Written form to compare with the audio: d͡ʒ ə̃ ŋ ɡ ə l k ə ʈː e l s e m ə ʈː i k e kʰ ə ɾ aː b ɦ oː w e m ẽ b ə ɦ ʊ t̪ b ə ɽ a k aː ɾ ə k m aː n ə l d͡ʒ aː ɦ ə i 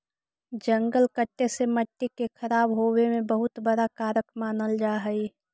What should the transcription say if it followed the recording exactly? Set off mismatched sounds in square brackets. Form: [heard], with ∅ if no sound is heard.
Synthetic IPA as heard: d͡ʒ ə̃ ŋ ɡ ə l k ə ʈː e [∅] s e m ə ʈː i k e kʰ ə ɾ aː b ɦ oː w e m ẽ b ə ɦ ʊ t̪ b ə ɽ a k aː ɾ ə k m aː n ə l d͡ʒ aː ɦ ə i